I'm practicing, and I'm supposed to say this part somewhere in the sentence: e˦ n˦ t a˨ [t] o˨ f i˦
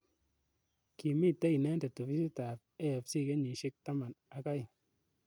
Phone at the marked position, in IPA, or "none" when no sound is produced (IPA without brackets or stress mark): t